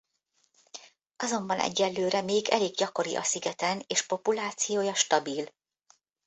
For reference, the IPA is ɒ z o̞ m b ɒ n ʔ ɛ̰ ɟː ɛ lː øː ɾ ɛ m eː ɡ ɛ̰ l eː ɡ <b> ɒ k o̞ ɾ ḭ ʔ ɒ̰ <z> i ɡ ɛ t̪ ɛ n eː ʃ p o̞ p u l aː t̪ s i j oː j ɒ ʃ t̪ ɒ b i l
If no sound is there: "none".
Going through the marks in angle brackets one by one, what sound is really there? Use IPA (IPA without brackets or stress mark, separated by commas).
ɟ, s